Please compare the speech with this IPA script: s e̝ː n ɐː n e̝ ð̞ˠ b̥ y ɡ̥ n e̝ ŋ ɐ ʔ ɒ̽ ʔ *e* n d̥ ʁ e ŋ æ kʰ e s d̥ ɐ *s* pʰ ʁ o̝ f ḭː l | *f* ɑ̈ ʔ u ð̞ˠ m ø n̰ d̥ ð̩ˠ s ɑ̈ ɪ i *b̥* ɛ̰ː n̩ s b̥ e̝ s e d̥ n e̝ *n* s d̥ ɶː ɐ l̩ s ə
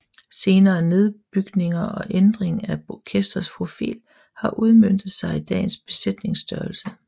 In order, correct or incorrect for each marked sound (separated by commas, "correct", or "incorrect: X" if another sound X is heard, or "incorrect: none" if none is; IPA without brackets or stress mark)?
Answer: correct, correct, incorrect: h, incorrect: d̥, incorrect: ŋ